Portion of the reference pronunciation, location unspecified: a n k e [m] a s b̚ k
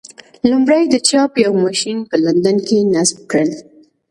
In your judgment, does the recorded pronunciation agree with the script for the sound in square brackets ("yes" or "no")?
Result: no